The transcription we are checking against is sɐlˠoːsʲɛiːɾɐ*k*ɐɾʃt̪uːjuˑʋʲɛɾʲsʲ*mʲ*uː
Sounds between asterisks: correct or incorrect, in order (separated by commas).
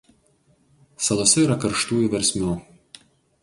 correct, correct